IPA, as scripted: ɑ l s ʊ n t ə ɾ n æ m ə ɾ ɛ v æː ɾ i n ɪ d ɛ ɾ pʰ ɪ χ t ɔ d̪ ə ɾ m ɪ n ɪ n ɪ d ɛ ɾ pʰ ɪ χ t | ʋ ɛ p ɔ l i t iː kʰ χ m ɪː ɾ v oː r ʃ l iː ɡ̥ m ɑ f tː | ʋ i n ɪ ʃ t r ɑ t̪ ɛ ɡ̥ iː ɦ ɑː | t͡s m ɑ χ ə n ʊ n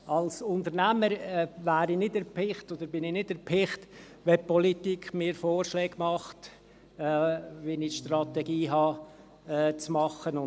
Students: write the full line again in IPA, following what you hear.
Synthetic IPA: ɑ l s ʊ n t ə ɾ n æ m ə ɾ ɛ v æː ɾ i n ɪ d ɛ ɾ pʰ ɪ χ t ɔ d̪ ə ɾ b ɪ n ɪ n ɪ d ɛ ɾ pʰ ɪ χ t | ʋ ɛ p ɔ l i t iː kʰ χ m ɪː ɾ f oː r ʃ l ɛː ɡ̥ m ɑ χ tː | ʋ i n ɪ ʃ t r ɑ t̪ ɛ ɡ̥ iː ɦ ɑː | t͡s m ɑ χ ə n ʊ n